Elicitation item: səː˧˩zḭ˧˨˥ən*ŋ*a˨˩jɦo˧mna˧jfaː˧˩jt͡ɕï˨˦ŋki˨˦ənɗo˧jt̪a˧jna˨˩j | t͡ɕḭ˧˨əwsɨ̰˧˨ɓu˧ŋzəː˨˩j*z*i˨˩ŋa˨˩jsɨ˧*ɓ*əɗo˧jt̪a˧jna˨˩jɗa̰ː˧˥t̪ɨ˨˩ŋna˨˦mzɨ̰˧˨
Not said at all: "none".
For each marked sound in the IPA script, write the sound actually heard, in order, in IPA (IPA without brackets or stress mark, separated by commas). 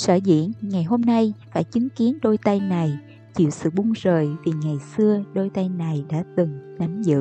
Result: ŋ, v, none